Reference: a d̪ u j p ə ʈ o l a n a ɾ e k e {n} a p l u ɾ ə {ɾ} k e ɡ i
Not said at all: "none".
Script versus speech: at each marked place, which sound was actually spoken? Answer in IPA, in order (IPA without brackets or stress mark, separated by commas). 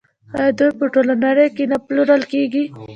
n, l